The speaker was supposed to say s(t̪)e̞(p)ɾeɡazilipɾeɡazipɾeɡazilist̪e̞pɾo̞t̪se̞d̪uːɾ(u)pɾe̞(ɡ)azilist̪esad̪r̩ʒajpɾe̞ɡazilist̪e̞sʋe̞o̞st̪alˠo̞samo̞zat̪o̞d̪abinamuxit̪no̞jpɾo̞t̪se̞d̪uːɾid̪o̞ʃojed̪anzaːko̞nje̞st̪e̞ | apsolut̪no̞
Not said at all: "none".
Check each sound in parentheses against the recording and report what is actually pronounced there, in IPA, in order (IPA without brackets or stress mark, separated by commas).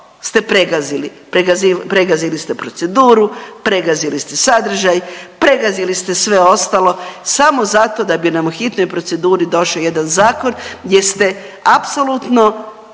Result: t̪, p, u, ɡ